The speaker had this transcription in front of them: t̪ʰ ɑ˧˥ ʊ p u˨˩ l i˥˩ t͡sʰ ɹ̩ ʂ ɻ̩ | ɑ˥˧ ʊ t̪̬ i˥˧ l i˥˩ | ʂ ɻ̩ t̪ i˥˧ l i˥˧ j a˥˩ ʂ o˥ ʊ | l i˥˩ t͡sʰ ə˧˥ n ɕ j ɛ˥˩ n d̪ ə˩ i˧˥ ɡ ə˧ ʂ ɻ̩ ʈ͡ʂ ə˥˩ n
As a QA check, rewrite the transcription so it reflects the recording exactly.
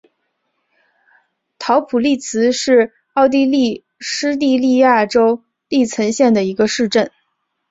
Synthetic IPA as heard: t̪ʰ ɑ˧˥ ʊ pʰ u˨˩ l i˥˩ t͡sʰ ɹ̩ ʂ ɻ̩ | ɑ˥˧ ʊ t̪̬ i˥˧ l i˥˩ | ʂ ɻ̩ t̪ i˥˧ l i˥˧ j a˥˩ ʈ͡ʂ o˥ ʊ | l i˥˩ t͡sʰ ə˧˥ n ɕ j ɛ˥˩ n d̪ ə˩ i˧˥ ɡ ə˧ ʂ ɻ̩ ʈ͡ʂ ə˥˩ n

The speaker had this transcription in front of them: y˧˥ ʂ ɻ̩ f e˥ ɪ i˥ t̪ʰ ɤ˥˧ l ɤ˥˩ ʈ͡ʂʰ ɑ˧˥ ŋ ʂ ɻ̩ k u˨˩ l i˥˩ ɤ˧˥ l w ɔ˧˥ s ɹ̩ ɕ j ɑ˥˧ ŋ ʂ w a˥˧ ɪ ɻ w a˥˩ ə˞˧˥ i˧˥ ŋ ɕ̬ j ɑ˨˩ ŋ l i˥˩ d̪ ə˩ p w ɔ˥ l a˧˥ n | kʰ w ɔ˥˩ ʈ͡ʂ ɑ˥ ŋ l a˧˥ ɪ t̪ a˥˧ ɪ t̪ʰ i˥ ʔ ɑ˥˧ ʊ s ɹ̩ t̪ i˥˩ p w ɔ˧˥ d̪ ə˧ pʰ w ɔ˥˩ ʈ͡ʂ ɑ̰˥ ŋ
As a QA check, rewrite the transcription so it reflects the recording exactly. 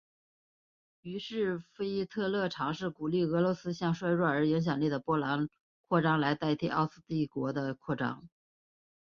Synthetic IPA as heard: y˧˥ ʂ ɻ̩ f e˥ ɪ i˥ t̪ʰ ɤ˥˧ l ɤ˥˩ ʈ͡ʂʰ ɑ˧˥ ŋ ʂ ɻ̩ k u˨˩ l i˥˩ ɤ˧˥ l w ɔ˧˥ s ɹ̩ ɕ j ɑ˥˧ ŋ ʂ w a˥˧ ɪ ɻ w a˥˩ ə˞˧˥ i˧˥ ŋ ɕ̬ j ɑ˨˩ ŋ l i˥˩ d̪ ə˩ p w ɔ˥ l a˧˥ n | kʰ w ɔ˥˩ ʈ͡ʂ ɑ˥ ŋ l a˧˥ ɪ t̪ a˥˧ ɪ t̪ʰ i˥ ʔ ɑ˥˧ ʊ s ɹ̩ t̪ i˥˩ k w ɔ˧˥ d̪ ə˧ kʰ w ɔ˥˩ ʈ͡ʂ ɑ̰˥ ŋ

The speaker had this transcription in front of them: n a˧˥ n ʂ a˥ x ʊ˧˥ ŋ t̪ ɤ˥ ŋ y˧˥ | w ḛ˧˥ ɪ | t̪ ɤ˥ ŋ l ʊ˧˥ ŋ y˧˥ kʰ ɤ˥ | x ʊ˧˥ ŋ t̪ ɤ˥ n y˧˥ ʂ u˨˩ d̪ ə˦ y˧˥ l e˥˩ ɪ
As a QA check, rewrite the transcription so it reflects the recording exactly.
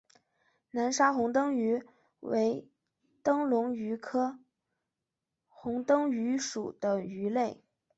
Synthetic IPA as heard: n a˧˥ n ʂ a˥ x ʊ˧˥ ŋ t̪ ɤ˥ ŋ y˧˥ | w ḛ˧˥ ɪ | t̪ ɤ˥ ŋ l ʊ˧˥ ŋ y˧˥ kʰ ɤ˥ | x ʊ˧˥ ŋ t̪ ɤ˥ ŋ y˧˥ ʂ u˨˩ d̪ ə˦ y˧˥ l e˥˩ ɪ

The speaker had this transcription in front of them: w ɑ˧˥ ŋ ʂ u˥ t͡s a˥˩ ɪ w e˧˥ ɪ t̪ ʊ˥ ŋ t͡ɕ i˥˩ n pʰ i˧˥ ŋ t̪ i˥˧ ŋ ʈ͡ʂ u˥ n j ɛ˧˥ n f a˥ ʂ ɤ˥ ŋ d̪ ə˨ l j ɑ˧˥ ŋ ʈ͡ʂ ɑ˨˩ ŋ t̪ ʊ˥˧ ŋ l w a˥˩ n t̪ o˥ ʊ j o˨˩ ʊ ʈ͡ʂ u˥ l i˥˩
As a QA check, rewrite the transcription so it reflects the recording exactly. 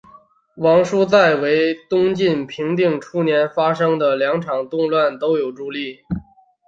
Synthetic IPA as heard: w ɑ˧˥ ŋ ʂ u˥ t͡s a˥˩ ɪ w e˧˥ ɪ t̪ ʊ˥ ŋ t͡ɕ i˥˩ n pʰ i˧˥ ŋ t̪ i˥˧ ŋ ʈ͡ʂʰ u˥ n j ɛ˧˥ n f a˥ ʂ ɤ˥ ŋ d̪ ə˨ l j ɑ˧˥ ŋ ʈ͡ʂʰ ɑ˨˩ ŋ t̪ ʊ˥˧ ŋ l w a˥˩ n t̪ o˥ ʊ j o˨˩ ʊ ʈ͡ʂ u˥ l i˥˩

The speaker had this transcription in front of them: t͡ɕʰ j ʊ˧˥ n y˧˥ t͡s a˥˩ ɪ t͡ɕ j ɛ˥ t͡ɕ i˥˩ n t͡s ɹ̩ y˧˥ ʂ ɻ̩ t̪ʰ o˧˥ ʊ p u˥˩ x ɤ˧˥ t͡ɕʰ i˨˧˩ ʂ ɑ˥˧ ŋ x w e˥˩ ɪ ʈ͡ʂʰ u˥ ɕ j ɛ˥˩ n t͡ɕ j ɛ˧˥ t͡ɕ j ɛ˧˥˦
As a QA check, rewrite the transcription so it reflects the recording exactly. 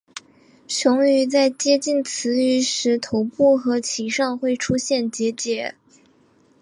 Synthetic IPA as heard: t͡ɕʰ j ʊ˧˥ ŋ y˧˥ t͡s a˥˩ ɪ t͡ɕ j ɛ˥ t͡ɕ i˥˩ n t͡sʰ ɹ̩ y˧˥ ʂ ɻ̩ t̪ʰ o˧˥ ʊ p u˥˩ x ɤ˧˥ t͡ɕʰ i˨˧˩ ʂ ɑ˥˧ ŋ x w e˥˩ ɪ ʈ͡ʂʰ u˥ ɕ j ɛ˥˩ n t͡ɕ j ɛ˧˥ t͡ɕ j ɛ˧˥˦

